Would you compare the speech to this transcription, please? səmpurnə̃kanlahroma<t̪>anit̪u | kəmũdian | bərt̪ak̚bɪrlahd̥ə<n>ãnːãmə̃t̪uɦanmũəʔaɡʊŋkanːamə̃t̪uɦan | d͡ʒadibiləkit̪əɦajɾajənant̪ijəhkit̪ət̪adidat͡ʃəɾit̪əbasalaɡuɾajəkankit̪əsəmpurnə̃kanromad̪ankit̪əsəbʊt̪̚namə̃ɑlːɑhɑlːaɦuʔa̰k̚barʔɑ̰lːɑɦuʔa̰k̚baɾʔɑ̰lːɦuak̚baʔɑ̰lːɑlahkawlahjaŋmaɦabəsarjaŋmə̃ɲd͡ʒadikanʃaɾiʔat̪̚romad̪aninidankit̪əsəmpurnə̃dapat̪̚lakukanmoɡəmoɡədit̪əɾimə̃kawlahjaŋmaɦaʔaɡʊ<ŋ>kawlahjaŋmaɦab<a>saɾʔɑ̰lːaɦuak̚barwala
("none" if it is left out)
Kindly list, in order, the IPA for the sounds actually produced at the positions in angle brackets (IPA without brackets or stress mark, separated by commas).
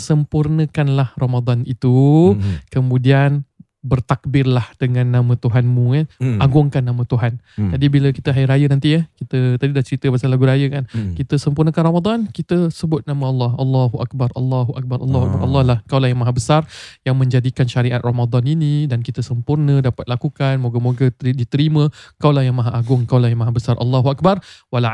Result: d̪, ŋ, ŋ, ə